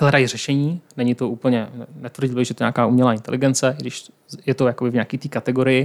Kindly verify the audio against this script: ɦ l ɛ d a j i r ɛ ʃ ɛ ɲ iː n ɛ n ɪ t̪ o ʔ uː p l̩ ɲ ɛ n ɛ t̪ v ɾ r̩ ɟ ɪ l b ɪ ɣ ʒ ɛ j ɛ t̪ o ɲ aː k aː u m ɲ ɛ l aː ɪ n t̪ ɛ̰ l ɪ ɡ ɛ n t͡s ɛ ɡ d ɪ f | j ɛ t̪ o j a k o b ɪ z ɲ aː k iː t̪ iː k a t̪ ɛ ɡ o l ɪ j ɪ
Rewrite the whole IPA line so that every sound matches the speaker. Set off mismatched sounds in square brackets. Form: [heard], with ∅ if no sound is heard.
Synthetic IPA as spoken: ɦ l ɛ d a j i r ɛ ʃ ɛ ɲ iː n ɛ [ɲ] ɪ t̪ o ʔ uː p l̩ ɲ ɛ n ɛ t̪ v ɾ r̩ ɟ ɪ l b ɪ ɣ ʒ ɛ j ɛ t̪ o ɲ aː k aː u m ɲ ɛ l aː ɪ n t̪ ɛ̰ l ɪ ɡ ɛ n t͡s ɛ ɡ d ɪ [ʃ] | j ɛ t̪ o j a k o b ɪ [v] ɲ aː k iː t̪ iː k a t̪ ɛ ɡ o [ɾ] ɪ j ɪ